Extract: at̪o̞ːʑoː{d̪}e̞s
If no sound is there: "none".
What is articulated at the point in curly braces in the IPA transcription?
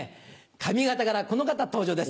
d̪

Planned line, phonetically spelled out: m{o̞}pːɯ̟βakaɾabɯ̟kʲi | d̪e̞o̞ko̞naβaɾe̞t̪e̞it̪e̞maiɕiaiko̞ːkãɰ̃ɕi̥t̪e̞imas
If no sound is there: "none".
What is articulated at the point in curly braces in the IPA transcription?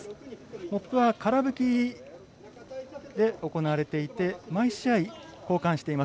o̞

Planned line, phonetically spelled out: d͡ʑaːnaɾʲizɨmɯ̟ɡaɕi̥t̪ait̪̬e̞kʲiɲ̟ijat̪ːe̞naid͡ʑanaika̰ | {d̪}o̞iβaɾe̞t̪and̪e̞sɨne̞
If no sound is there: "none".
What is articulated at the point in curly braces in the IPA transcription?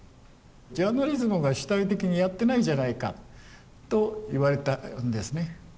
t̪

